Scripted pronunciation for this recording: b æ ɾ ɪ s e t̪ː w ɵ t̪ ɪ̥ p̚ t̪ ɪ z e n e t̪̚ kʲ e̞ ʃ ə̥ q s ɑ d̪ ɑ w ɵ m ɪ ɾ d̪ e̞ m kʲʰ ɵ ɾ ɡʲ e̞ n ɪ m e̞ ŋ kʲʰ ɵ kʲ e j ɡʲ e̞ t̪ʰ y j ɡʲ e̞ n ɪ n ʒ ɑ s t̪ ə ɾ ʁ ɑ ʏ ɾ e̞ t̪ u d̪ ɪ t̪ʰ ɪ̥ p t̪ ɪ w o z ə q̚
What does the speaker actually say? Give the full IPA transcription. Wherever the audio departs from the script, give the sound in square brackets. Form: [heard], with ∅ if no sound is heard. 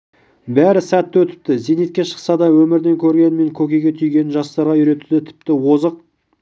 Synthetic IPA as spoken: b æ ɾ ɪ s [æ] t̪ː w ɵ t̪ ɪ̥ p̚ t̪ ɪ z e n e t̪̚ kʲ e̞ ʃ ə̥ q s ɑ d̪ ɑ w ɵ m ɪ ɾ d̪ e̞ [ŋ] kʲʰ ɵ ɾ ɡʲ e̞ n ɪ m e̞ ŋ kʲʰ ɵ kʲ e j ɡʲ e̞ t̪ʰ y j ɡʲ e̞ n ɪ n ʒ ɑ s t̪ [ɑ] ɾ ʁ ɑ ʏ ɾ e̞ t̪ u d̪ ɪ t̪ʰ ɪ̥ p t̪ ɪ w o z ə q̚

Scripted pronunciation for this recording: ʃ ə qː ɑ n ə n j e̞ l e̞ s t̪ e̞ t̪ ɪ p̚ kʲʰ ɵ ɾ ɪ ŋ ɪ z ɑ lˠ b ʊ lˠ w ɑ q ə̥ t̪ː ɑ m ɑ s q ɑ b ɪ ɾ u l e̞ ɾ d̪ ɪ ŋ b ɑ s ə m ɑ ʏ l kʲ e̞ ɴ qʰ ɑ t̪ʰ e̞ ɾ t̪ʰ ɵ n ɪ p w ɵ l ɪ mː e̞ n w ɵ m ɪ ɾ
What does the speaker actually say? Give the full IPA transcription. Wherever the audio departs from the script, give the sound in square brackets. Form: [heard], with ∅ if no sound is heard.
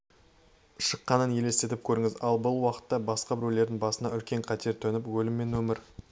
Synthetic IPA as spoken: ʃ ə qː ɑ n ə n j e̞ l e̞ s t̪ e̞ t̪ ɪ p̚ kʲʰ ɵ ɾ ɪ ŋ ɪ z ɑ lˠ b ʊ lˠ w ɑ q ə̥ t̪ː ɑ [b] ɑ s q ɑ b ɪ ɾ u l e̞ ɾ d̪ ɪ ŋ b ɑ s ə [n] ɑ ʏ l kʲ e̞ ɴ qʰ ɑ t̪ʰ e̞ ɾ t̪ʰ ɵ n ɪ p w ɵ l ɪ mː e̞ n w ɵ m ɪ ɾ

